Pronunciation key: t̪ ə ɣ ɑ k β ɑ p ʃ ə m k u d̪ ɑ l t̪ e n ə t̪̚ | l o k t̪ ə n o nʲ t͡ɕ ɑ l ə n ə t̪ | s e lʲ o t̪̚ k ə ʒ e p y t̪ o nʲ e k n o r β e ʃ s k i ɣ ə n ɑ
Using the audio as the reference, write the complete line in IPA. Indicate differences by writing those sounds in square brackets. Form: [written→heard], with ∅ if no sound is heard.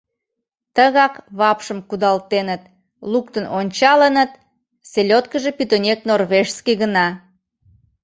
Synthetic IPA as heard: t̪ ə ɣ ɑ k β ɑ p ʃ ə m k u d̪ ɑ l t̪ e n ə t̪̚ | l [o→u] k t̪ ə n o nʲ t͡ɕ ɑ l ə n ə t̪ | s e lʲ o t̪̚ k ə ʒ e p y t̪ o nʲ e k n o r β e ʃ s k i ɣ ə n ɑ